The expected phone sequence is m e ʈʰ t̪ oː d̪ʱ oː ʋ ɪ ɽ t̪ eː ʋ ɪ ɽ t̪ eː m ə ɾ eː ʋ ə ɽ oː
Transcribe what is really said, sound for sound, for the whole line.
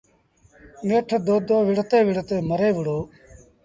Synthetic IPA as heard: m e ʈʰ d̪ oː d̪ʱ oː ʋ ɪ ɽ t̪ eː ʋ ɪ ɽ t̪ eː m ə ɾ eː ʋ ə ɽ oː

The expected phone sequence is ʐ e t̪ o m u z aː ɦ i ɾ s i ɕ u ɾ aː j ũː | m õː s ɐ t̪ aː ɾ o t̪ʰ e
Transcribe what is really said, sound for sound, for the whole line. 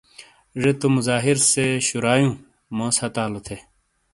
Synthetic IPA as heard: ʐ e t̪ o m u z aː ɦ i ɾ s e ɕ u ɾ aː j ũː | m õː s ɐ t̪ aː l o t̪ʰ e

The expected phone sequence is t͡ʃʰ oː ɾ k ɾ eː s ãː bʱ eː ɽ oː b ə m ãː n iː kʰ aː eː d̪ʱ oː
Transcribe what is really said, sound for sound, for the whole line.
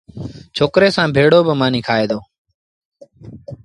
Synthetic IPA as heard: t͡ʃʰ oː k ɾ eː s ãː bʱ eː ɽ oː b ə m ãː n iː kʰ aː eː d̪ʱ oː

